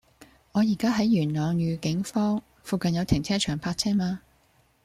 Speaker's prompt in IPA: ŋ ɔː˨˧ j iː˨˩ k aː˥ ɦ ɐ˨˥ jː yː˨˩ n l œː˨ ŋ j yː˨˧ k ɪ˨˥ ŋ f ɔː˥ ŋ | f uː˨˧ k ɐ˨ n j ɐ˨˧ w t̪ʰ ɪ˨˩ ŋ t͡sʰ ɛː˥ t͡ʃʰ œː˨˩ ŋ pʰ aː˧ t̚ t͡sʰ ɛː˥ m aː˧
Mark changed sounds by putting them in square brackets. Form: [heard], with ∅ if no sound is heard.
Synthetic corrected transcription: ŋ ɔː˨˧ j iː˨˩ k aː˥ ɦ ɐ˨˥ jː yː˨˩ n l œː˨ ŋ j yː˨˧ k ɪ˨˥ ŋ f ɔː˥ ŋ | f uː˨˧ k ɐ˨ n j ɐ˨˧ w t̪ʰ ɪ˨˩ ŋ t͡sʰ ɛː˥ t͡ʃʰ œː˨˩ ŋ pʰ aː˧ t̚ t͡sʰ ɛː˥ m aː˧

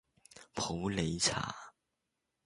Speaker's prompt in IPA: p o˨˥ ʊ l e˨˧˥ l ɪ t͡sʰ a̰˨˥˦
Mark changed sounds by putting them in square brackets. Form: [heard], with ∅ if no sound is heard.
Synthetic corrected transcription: [pʰ] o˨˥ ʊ l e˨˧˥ [∅] ɪ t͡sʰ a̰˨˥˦

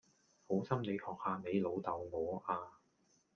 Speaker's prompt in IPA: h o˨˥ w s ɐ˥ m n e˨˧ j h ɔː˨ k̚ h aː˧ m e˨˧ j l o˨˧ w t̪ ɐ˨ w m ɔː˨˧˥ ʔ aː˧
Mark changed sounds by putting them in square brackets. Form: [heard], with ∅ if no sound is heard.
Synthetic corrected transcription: h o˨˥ w s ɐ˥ m n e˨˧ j h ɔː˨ k̚ h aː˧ m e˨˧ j l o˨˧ w t̪ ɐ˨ w [ŋ] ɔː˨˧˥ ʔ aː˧

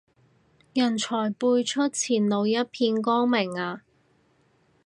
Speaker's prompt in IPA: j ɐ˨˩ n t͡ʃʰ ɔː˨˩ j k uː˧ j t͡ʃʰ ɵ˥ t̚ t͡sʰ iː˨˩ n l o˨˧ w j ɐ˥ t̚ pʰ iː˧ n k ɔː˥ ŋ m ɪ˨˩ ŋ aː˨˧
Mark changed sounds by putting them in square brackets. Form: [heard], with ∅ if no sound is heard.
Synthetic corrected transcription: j ɐ˨˩ n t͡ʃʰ ɔː˨˩ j [p] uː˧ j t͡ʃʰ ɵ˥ t̚ t͡sʰ iː˨˩ n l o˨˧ w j ɐ˥ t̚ pʰ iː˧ n k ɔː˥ ŋ m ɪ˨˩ ŋ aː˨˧

